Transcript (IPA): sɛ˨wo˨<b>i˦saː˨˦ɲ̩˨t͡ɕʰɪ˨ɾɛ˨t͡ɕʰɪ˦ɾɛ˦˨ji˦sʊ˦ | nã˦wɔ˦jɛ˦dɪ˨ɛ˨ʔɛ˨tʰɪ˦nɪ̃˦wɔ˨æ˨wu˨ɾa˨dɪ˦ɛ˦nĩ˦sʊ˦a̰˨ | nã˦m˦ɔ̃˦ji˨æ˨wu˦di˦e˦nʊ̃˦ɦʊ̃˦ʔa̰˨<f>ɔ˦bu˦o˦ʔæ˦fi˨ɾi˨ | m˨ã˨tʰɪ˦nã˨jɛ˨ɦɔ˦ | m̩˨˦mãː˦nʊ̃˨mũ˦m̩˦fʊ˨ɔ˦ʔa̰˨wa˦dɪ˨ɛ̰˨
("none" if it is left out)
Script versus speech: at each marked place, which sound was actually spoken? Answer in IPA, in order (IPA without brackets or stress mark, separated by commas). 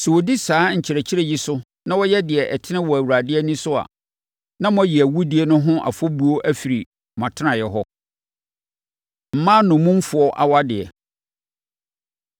d, f